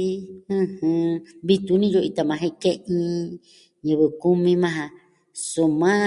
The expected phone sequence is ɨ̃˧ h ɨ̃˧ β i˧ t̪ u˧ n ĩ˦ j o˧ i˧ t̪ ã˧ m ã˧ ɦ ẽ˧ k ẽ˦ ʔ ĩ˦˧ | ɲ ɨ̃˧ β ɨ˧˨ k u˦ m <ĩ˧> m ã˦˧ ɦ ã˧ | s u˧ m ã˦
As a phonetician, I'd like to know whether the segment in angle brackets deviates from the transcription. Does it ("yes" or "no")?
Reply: no